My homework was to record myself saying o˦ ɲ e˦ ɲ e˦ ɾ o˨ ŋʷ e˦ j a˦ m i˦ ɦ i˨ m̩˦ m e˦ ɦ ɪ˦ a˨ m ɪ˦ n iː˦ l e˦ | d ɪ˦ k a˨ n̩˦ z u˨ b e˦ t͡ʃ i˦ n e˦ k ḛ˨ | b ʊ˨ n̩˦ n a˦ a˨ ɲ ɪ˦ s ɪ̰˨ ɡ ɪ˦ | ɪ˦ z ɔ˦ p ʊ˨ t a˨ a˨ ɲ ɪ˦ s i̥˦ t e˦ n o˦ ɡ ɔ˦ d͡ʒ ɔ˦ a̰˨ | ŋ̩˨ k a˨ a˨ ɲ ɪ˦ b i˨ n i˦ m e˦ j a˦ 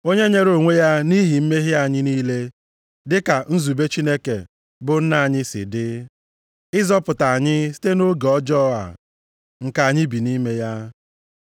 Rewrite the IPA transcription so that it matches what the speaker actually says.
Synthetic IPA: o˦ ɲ e˦ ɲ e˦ ɾ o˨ ŋʷ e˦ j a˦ n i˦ ɦ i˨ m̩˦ m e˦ ɦ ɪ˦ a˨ ɲ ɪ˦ n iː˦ l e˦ | d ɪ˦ k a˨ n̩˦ z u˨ b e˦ t͡ʃ i˦ n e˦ k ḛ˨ | b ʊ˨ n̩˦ n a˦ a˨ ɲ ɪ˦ s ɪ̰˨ d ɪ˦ | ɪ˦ z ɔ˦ p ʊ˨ t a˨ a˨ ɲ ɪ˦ s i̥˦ t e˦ n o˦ ɡ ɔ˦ d͡ʒ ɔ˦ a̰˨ | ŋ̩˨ k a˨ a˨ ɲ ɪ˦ b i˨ n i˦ m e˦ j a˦